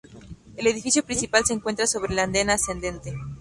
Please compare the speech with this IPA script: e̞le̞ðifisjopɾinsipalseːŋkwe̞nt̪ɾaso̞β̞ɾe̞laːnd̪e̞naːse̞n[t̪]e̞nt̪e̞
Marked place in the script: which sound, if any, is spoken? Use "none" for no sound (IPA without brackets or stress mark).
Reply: d̪